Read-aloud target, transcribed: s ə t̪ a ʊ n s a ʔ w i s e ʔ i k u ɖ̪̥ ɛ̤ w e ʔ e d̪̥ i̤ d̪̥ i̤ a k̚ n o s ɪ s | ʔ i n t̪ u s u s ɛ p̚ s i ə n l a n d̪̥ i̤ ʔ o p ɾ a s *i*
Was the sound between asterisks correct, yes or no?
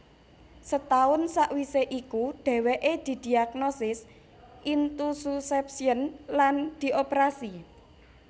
yes